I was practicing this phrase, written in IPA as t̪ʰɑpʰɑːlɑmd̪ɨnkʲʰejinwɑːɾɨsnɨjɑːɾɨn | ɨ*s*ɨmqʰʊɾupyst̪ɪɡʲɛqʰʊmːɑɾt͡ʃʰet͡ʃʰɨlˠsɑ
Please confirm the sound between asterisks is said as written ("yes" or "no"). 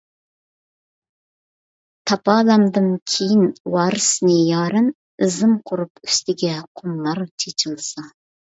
no